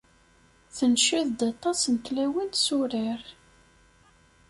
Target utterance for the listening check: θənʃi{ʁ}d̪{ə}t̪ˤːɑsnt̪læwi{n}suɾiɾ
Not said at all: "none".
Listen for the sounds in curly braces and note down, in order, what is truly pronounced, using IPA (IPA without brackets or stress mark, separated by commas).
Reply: ð, ɑ, n